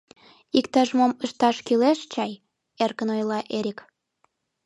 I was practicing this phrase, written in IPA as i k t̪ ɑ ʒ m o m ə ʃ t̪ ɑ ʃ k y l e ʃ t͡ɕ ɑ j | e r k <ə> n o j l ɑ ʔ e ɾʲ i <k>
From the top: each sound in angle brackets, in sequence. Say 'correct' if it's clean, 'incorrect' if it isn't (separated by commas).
correct, correct